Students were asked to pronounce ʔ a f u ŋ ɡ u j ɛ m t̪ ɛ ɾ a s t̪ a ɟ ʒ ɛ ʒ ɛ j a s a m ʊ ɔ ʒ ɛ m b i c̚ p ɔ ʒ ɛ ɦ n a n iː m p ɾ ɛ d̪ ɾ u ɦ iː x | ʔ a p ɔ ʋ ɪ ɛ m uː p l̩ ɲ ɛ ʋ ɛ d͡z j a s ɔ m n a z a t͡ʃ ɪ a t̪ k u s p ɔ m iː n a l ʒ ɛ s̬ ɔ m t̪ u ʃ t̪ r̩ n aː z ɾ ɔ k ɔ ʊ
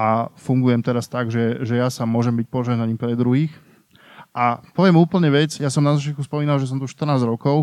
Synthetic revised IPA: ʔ a f u ŋ ɡ u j ɛ m t̪ ɛ ɾ a s t̪ a ɡ ʒ ɛ ʒ ɛ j a s a m ʊ ɔ ʒ ɛ m b i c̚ p ɔ ʒ ɛ ɦ n a ɲ iː m p ɾ ɛ d̪ ɾ u ɦ iː x | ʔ a p ɔ ʋ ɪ ɛ m uː p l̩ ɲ ɛ ʋ ɛ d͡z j a s ɔ m n a z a t͡ʃ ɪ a t̪ k u s p ɔ m iː n a l ʒ ɛ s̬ ɔ m t̪ u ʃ t̪ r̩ n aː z ɾ ɔ k ɔ ʊ